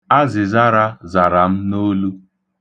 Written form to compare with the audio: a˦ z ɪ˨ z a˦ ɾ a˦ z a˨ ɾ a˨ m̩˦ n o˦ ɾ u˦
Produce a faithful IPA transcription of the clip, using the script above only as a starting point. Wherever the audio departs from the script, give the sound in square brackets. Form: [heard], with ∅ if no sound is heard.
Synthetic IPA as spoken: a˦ z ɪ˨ z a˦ ɾ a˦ z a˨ ɾ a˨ m̩˦ n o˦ [l] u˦

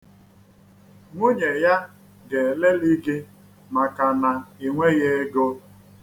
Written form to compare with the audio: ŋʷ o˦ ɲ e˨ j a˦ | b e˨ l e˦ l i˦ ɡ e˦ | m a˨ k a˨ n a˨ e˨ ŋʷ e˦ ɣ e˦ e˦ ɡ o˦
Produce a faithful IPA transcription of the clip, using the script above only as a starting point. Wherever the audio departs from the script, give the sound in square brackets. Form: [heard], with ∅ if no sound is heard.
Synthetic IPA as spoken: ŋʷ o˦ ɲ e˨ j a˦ | [ɡ] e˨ l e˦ l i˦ ɡ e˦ | m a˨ k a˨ n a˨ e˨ ŋʷ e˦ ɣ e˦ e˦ ɡ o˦

